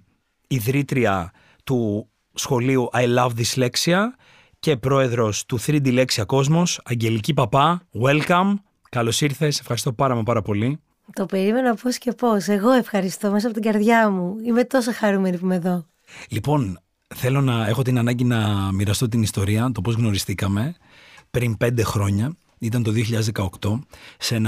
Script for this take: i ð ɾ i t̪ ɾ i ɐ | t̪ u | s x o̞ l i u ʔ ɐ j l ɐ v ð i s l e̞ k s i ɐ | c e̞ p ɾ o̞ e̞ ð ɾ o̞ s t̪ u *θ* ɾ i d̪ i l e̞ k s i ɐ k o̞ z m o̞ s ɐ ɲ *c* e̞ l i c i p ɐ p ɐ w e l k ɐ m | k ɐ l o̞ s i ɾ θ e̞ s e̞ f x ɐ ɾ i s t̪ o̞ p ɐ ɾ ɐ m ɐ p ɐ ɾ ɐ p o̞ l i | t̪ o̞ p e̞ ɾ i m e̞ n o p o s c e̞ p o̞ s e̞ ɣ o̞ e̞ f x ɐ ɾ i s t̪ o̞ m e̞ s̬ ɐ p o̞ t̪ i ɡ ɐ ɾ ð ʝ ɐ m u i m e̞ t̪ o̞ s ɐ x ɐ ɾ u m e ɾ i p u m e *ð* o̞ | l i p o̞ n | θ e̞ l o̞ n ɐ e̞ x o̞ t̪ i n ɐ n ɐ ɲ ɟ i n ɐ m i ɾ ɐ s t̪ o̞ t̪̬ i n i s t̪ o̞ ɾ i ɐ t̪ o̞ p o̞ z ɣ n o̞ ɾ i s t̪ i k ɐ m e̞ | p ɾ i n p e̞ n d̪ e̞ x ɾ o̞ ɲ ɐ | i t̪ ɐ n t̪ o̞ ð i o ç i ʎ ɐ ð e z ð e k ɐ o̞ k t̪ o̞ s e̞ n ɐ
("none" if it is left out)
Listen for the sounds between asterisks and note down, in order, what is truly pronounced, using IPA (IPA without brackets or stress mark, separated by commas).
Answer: θ, ɟ, ð